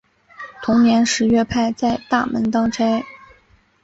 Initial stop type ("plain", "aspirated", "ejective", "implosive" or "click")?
aspirated